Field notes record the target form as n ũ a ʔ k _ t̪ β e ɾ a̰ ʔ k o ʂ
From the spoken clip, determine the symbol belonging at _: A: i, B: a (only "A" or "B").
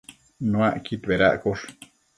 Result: A